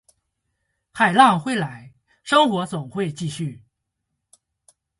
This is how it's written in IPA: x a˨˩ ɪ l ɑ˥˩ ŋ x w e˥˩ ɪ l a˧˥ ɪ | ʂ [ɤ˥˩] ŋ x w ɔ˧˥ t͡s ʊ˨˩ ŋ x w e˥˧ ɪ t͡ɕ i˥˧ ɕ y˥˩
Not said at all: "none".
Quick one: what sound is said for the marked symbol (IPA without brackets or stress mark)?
ɤ˥